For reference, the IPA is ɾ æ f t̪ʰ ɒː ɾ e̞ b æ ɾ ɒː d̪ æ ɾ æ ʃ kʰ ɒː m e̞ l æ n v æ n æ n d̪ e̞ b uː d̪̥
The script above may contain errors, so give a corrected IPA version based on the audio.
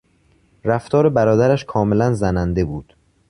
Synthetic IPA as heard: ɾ æ f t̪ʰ ɒː ɾ e̞ b æ ɾ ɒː d̪ æ ɾ æ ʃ kʰ ɒː m e̞ l æ n z æ n æ n d̪ e̞ b uː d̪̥

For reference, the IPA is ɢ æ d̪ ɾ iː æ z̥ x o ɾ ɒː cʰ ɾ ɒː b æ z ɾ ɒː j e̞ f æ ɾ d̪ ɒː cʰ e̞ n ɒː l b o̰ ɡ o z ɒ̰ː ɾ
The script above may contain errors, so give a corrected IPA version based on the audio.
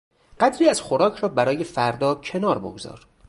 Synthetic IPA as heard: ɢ æ d̪ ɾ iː æ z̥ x o ɾ ɒː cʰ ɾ ɒː b æ ɾ ɒː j e̞ f æ ɾ d̪ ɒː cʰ e̞ n ɒː ɾ b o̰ ɡ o z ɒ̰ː ɾ

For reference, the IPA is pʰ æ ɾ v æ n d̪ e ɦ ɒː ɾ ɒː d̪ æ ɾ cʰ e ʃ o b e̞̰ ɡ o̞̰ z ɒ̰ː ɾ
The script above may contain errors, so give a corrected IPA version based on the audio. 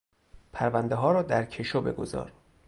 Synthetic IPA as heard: pʰ æ ɾ v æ n d̪ e ɦ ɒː ɾ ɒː d̪ æ ɾ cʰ e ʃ o b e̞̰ ɡ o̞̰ z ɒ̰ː ɾ

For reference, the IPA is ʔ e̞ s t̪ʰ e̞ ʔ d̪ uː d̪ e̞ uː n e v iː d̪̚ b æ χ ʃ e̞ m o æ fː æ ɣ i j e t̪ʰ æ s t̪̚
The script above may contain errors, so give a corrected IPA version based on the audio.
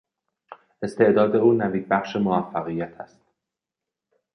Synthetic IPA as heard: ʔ e̞ s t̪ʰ e̞ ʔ d̪ ɒː d̪ e̞ uː n æ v iː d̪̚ b æ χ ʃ e̞ m o æ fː æ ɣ i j æ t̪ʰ æ s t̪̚

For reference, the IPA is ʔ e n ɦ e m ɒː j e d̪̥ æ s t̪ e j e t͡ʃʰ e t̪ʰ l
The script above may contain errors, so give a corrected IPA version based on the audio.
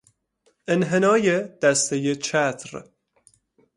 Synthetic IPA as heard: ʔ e n ɦ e n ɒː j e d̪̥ æ s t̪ e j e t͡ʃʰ æ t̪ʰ ɾ

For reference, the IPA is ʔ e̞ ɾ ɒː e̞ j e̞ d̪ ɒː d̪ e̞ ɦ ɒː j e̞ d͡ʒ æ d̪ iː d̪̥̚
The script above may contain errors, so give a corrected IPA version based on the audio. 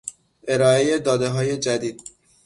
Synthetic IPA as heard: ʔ e̞ ɾ ɒː e̞ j e̞ d̪ ɒː d̪ e̞ ɦ ɒː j e̞ d͡ʒ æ d̪ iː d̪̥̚

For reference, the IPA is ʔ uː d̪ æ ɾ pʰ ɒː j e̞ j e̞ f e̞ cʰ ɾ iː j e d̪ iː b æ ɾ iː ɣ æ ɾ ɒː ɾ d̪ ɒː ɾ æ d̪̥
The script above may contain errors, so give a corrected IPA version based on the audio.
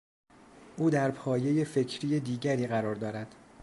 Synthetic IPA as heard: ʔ uː d̪ æ ɾ pʰ ɒː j e̞ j e̞ f e̞ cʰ ɾ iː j e d̪ iː ɟ æ ɾ iː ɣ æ ɾ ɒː ɾ d̪ ɒː ɾ æ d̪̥

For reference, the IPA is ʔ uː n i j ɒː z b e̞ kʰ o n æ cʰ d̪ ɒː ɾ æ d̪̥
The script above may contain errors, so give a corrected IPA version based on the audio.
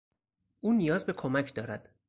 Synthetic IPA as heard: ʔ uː n i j ɒː z b e̞ kʰ o m æ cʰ d̪ ɒː ɾ æ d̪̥

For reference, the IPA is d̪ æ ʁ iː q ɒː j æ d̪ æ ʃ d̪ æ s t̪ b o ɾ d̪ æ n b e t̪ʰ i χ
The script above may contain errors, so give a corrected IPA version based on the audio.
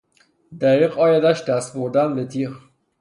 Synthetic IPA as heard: d̪ æ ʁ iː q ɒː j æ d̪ æ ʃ d̪ æ s t̪ b o ɾ d̪ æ n b e t̪ʰ i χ

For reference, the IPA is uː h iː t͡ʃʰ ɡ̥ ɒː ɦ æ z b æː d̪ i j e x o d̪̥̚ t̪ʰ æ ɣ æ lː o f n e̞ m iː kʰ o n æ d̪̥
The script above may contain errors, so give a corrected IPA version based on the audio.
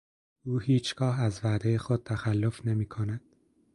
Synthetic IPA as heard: uː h iː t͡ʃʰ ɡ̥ ɒː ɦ æ z v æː d̪ e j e x o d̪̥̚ t̪ʰ æ x æ lː o f n e̞ m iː kʰ o n æ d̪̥

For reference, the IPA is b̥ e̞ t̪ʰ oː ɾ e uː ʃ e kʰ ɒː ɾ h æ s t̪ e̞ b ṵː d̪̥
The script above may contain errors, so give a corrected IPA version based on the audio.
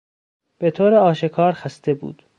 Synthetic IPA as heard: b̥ e̞ t̪ʰ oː ɾ e ɒː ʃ e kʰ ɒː ɾ x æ s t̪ e̞ b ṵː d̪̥

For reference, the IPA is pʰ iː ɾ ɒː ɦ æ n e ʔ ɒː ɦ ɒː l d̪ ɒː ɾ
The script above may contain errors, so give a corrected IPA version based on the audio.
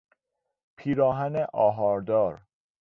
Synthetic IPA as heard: pʰ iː ɾ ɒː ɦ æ n e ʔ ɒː ɦ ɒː ɾ d̪ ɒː ɾ

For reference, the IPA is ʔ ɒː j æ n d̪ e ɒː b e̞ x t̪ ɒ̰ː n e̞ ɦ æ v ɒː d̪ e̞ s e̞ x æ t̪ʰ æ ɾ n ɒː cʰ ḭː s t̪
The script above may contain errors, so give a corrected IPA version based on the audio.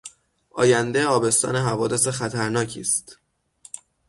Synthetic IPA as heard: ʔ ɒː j æ n d̪ e ɒː b e̞ s t̪ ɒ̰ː n e̞ ɦ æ v ɒː d̪ e̞ s e̞ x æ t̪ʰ æ ɾ n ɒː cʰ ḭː s t̪

